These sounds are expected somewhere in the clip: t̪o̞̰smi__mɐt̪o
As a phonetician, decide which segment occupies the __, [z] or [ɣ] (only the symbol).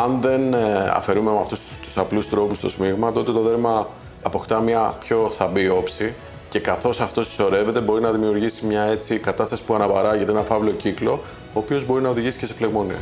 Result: ɣ